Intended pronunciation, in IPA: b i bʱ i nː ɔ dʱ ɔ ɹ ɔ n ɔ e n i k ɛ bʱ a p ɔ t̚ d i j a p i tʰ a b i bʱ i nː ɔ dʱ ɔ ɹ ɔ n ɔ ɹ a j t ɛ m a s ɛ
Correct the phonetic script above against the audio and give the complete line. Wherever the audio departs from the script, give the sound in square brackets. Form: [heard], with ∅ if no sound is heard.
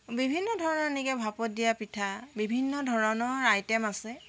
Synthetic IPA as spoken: b i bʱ i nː ɔ dʱ ɔ ɹ ɔ n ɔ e n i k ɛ bʱ a p ɔ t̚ d i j a p i tʰ a b i bʱ i nː ɔ dʱ ɔ ɹ ɔ n ɔ ɹ a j t ɛ m a s ɛ